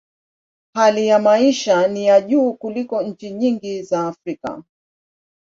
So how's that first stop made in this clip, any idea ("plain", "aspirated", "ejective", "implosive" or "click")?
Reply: implosive